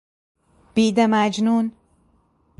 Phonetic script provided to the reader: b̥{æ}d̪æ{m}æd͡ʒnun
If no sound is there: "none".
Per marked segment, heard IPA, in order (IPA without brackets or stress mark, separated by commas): i, m